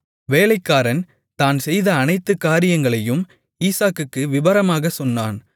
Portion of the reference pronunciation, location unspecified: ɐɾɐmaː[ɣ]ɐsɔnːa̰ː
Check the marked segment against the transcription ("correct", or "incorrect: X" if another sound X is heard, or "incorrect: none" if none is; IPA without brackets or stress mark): correct